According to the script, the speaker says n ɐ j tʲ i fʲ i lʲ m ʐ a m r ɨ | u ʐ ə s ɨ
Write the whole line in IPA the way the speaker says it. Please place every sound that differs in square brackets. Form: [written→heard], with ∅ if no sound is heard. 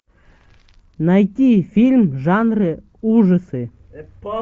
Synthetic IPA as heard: n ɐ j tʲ i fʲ i lʲ m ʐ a [m→n] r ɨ | u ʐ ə s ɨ